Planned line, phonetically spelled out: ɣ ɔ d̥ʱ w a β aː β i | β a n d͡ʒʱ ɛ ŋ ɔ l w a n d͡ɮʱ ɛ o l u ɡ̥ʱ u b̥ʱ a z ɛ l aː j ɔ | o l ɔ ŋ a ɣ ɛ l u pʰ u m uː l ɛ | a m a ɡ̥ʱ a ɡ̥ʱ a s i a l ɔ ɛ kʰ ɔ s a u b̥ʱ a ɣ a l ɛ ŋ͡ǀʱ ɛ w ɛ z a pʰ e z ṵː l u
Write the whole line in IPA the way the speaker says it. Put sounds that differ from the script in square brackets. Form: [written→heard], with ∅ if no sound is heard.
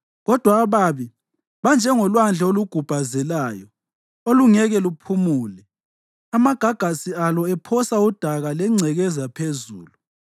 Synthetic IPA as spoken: ɣ ɔ d̥ʱ w a β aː β i | β a n d͡ʒʱ ɛ ŋ ɔ l w a n d͡ɮʱ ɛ o l u ɡ̥ʱ u b̥ʱ a z ɛ l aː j ɔ | o l [ɔ→u] ŋ [a→ɛ] ɣ ɛ l u pʰ u m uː l ɛ | a m a ɡ̥ʱ a ɡ̥ʱ a s i a l ɔ ɛ [kʰ→pʰ] ɔ s a u [b̥ʱ→d̥ʱ] a ɣ a l ɛ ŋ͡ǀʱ ɛ [w→ɣ] ɛ z a pʰ e z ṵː l u

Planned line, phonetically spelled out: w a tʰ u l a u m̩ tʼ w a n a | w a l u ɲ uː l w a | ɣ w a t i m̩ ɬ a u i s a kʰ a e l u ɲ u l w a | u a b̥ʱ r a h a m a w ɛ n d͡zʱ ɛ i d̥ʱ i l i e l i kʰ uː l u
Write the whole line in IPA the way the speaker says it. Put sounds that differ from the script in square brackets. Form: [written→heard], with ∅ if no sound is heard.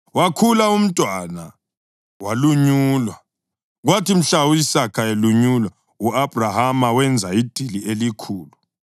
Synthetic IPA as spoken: w a [tʰ→kʰ] u l a u m̩ tʼ w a n a | w a l u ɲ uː l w a | ɣ w a t i m̩ ɬ a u i s a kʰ a e l u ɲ u l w a | u a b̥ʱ r a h a m a w ɛ n d͡zʱ [ɛ→a] i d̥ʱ i l i e l i kʰ uː l u

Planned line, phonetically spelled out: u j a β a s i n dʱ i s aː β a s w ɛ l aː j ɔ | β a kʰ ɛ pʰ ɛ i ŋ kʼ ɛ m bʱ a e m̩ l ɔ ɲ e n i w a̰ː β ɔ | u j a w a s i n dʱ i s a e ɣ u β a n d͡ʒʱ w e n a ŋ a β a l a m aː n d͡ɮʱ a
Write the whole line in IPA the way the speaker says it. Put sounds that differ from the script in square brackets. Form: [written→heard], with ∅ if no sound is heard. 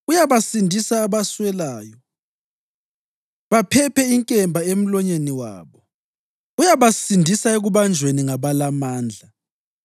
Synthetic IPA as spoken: u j a β a s i n dʱ i s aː β a s w ɛ l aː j ɔ | β a [kʰ→pʰ] ɛ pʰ ɛ i ŋ kʼ ɛ m bʱ a e m̩ l ɔ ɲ e n i w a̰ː β ɔ | u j a [w→β] a s i n dʱ i s a e ɣ u β a n d͡ʒʱ w e n [a→i] ŋ a β a l a m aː n d͡ɮʱ a

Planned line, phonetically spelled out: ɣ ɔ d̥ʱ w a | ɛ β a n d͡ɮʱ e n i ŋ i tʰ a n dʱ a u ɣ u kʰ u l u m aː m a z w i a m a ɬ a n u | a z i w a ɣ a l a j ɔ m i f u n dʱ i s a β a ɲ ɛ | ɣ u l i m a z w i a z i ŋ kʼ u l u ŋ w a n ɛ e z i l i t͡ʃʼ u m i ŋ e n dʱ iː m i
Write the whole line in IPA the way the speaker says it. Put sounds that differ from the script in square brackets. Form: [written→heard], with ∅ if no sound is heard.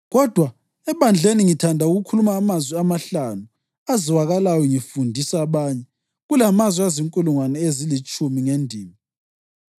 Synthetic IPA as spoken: ɣ ɔ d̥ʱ w a | ɛ β a n d͡ɮʱ e n i ŋ i tʰ a n dʱ a u ɣ u kʰ u l u m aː m a z w i a m a ɬ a n u | a z i w a ɣ a l a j ɔ [m→ŋ] i f u n dʱ i s a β a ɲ ɛ | ɣ u l [i→a] m a z w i a z i ŋ kʼ u l u ŋ w a n ɛ e z i l i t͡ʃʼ u m i ŋ e n dʱ iː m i

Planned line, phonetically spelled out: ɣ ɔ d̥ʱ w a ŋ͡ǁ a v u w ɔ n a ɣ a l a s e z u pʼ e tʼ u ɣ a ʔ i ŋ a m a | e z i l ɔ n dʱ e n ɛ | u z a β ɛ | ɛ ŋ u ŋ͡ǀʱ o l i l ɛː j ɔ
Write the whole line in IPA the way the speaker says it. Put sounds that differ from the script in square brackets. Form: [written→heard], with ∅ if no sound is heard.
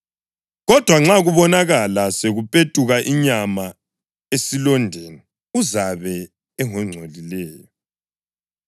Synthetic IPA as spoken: ɣ ɔ d̥ʱ w a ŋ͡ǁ a [v→ɣ] u [w→β] ɔ n a ɣ a l a s e [z→ɣ] u pʼ e tʼ u ɣ a ʔ i [ŋ→ɲ] a m a | e [z→s] i l ɔ n dʱ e n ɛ | u z a β ɛ | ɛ ŋ [u→ɔ] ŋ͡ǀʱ o l i l ɛː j ɔ

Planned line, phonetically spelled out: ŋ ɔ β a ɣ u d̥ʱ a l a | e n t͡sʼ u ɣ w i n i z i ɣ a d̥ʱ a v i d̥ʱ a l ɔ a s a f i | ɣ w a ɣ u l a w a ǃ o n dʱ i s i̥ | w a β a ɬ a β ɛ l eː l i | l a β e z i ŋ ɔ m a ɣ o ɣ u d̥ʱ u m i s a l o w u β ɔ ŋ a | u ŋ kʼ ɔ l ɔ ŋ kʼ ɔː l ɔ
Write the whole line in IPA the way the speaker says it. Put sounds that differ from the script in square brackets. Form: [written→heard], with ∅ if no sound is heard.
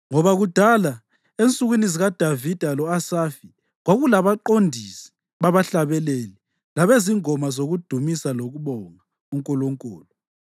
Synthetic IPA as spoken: ŋ ɔ β a ɣ u d̥ʱ a l a | e n t͡sʼ u ɣ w i n i z i ɣ a d̥ʱ a v i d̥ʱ a l ɔ a s a f i | ɣ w a ɣ u l a [w→β] a ǃ o n dʱ i s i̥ | [w→β] a β a ɬ a β ɛ l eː l i | l a β e z i ŋ ɔ m a [ɣ→z] o ɣ u d̥ʱ u m i s a l o [w→ɣ] u β ɔ ŋ a | u ŋ kʼ ɔ l ɔ ŋ kʼ ɔː l ɔ

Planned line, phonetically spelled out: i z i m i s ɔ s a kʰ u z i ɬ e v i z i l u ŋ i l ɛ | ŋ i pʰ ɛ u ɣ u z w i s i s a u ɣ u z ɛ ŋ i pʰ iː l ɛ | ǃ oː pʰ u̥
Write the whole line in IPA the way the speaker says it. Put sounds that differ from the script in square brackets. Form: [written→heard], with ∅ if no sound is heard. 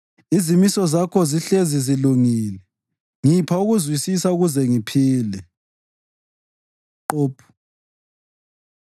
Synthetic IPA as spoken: i z i m i s ɔ [s→z] a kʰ [u→ɔ] z i ɬ e [v→z] i z i l u ŋ i l ɛ | ŋ i pʰ [ɛ→a] u ɣ u z w i s i s a u ɣ u z ɛ ŋ i pʰ iː l ɛ | ǃ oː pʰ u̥

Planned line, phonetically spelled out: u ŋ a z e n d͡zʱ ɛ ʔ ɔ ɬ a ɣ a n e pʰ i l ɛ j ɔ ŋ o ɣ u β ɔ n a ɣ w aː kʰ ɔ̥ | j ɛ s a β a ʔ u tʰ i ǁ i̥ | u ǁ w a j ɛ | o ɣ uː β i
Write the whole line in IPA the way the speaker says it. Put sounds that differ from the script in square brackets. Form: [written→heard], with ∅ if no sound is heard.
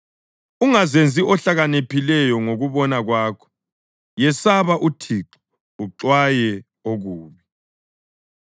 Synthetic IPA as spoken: u ŋ a z e n d͡zʱ [ɛ→i] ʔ ɔ ɬ a ɣ a n e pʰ i l ɛ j ɔ ŋ o ɣ u β ɔ n a ɣ w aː kʰ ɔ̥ | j ɛ s a β a ʔ u tʰ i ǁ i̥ | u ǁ w a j ɛ | o ɣ uː β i

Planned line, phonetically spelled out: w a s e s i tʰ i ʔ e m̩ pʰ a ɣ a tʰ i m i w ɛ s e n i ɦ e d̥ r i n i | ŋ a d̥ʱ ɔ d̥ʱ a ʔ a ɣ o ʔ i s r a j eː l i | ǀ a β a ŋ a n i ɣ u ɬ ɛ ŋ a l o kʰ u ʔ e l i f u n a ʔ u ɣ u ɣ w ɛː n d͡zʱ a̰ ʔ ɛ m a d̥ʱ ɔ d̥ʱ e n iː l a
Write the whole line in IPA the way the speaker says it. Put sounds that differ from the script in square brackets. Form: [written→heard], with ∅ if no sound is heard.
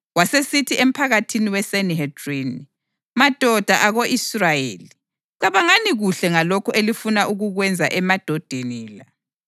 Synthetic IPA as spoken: w a s e s i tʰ i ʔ e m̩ pʰ a ɣ a tʰ i [m→n] i w ɛ s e n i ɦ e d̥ r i n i | [ŋ→m] a d̥ʱ ɔ d̥ʱ a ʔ a ɣ o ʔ i s r a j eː l i | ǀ a β a ŋ a n i ɣ u ɬ ɛ ŋ a l o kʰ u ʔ e l i f u n a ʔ u ɣ u ɣ w [ɛː→ɛ] n d͡zʱ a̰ ʔ ɛ m a d̥ʱ ɔ d̥ʱ e n iː l a

